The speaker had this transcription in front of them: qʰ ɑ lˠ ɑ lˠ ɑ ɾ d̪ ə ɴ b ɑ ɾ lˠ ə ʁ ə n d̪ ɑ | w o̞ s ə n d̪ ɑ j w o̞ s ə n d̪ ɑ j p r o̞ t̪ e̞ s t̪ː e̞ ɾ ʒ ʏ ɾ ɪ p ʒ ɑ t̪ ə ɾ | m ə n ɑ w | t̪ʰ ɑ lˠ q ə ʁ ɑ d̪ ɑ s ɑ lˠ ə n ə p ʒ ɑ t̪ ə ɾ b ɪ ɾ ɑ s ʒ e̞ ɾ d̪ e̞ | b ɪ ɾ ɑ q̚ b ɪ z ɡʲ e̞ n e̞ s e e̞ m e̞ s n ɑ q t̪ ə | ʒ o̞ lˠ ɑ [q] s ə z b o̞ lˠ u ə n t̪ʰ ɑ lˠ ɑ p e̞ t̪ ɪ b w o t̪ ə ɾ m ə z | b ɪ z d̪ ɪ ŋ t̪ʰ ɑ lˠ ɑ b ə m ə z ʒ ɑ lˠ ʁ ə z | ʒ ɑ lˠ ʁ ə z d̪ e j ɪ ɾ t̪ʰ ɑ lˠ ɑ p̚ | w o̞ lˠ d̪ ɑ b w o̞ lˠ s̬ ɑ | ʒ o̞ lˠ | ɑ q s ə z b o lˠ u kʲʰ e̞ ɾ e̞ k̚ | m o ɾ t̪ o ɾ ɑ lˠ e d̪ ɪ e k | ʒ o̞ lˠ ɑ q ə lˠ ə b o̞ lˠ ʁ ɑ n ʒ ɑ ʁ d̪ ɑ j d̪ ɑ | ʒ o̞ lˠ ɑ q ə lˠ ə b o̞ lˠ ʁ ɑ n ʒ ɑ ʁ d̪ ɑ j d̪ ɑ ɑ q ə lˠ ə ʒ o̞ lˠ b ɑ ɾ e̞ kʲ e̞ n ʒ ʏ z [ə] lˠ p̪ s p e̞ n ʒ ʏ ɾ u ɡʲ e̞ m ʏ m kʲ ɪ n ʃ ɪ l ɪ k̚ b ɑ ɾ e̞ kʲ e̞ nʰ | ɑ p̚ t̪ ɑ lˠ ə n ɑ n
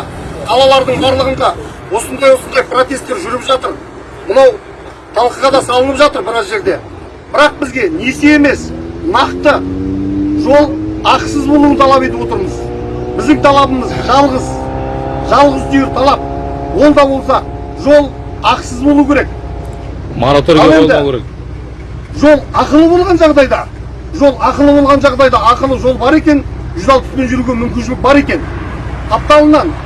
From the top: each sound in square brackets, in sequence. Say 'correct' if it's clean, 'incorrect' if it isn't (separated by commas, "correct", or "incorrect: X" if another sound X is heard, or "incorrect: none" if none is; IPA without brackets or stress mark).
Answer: correct, incorrect: ɑ